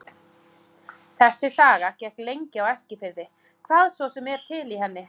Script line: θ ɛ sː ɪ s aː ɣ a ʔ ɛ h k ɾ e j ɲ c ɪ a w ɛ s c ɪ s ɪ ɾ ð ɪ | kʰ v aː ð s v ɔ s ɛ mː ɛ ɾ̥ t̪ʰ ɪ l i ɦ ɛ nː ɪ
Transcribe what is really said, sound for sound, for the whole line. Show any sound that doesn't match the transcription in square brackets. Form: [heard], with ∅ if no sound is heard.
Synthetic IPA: θ ɛ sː ɪ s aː ɣ a [c] ɛ h k [l] e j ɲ c ɪ a w ɛ s c ɪ [f] ɪ ɾ ð ɪ | kʰ v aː ð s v ɔ s ɛ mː ɛ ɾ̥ t̪ʰ ɪ l i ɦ ɛ nː ɪ

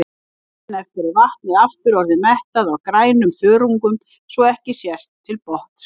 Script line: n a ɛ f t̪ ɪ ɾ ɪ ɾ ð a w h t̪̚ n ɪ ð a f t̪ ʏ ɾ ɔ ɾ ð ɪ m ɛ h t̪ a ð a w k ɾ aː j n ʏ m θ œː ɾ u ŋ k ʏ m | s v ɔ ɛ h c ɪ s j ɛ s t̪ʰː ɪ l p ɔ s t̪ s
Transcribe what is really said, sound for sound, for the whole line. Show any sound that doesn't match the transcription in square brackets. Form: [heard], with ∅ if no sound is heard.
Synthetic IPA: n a ɛ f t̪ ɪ ɾ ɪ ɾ [v] a [∅] h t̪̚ n ɪ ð a f t̪ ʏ ɾ ɔ ɾ ð ɪ m ɛ h t̪ a ð a w k ɾ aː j n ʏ m θ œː ɾ u ŋ k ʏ m | s v ɔ ɛ h c ɪ s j ɛ s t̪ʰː ɪ l p ɔ [h] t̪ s

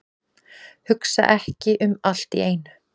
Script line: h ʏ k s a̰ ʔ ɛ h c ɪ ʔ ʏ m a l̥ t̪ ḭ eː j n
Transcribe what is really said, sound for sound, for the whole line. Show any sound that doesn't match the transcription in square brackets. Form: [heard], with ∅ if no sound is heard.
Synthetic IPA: h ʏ k s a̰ ʔ ɛ h c ɪ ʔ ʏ m a l̥ t̪ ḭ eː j n

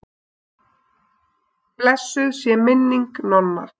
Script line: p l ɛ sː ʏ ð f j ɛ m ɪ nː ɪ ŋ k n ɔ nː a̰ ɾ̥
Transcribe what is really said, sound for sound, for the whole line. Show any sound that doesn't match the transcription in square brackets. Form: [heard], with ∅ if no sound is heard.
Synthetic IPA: p l ɛ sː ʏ ð [s] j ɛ m ɪ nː [i] ŋ k n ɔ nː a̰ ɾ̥

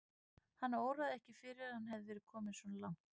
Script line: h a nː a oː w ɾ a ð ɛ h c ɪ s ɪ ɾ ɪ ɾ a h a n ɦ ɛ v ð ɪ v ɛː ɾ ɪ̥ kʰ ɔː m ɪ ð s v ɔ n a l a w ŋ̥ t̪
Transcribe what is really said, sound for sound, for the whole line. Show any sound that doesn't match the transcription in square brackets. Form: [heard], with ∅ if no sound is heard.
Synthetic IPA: h a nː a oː w ɾ a ð ɛ h c ɪ [f] ɪ ɾ ɪ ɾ a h a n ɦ ɛ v ð ɪ v ɛː ɾ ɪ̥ kʰ ɔː m ɪ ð s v ɔ n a l a w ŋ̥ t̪

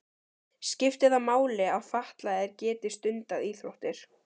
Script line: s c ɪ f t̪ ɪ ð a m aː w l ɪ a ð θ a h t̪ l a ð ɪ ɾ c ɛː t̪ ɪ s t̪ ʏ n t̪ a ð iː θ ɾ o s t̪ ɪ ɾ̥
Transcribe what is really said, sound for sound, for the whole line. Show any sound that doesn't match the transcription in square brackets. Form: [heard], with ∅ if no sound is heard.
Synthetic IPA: s c ɪ f t̪ ɪ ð a m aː w l ɪ a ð [f] a h t̪ l a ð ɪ ɾ c ɛː t̪ ɪ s t̪ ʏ n t̪ a ð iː θ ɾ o [h] t̪ ɪ ɾ̥

